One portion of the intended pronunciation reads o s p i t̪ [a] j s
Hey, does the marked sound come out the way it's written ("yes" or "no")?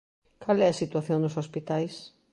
yes